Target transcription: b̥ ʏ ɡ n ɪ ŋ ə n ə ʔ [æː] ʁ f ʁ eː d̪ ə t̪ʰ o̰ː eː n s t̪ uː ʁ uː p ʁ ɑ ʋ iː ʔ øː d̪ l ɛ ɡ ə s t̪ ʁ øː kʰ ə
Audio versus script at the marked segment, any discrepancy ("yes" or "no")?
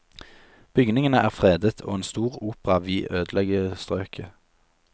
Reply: no